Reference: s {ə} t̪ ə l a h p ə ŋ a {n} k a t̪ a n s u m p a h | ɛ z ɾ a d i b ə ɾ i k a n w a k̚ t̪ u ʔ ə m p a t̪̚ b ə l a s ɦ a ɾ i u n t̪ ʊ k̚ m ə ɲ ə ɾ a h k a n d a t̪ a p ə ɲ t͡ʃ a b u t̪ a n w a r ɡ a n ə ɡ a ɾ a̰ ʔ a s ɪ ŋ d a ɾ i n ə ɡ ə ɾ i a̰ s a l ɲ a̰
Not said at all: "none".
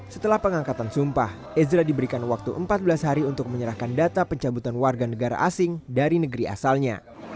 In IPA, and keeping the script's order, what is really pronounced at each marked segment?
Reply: ə, ŋ

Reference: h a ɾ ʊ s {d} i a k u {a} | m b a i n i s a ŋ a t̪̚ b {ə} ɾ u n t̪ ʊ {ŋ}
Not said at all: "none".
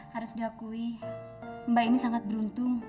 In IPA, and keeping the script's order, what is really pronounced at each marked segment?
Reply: d, i, ə, ŋ

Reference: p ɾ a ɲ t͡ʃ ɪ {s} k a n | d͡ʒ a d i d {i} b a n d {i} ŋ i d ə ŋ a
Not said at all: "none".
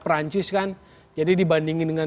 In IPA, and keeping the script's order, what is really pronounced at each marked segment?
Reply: s, i, i

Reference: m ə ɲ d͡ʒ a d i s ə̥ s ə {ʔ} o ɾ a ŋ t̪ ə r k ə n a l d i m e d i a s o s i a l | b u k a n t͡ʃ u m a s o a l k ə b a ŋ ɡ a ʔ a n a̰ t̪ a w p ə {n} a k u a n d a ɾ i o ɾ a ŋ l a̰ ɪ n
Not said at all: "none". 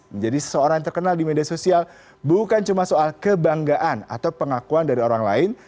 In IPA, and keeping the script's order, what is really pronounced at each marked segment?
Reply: none, ŋ

